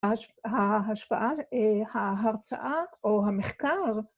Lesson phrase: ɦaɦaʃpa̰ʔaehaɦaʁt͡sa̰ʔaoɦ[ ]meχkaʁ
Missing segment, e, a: a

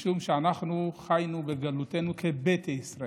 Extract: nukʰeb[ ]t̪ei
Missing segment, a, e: e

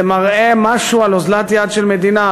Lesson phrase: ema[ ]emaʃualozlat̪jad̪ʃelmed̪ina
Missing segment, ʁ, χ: ʁ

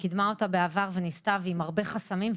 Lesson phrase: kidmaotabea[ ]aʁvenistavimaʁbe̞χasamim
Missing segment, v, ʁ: v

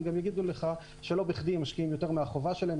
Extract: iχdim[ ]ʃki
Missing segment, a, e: a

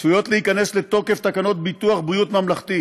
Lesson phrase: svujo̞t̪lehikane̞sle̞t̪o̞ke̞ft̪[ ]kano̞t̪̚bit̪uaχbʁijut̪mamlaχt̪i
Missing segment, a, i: a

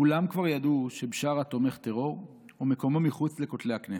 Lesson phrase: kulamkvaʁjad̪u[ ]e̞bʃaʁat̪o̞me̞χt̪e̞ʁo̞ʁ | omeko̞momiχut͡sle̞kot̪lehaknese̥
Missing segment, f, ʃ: ʃ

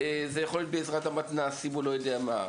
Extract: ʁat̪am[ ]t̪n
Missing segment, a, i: a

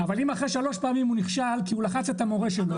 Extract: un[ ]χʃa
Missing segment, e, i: i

